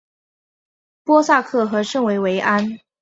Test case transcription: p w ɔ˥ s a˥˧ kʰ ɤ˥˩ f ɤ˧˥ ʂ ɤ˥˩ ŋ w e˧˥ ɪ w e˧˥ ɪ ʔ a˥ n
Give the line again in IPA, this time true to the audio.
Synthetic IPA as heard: p w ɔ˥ s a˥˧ kʰ ɤ˥˩ x ɤ˧˥ ʂ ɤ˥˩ ŋ w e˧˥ ɪ w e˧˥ ɪ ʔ a˥ n